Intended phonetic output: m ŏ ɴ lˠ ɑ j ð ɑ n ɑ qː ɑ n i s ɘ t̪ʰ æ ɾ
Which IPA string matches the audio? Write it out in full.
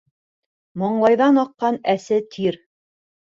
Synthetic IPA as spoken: m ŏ ɴ lˠ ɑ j ð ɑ n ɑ qː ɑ n æ s ɘ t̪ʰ i ɾ